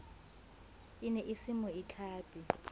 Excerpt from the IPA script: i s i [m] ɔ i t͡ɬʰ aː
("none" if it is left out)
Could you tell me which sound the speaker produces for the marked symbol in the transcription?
m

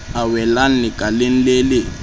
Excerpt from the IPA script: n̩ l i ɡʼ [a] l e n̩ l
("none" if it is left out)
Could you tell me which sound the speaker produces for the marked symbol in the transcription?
a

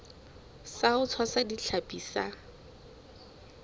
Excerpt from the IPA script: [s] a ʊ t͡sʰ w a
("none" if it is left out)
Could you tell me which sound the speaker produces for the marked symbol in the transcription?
s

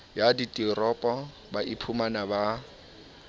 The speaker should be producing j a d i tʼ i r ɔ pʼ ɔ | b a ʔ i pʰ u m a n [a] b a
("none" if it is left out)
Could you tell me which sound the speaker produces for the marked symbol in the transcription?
a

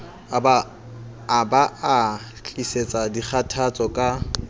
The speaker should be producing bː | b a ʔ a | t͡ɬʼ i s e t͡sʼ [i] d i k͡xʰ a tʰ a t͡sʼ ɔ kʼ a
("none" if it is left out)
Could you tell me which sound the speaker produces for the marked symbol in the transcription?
a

